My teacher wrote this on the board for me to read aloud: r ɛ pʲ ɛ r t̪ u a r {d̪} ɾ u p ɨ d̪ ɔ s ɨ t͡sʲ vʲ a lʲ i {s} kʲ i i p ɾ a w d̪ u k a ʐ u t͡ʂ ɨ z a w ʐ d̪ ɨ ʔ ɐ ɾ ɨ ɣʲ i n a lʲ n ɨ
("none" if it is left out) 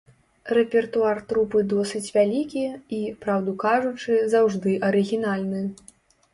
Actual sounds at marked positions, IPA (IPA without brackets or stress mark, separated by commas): t̪, none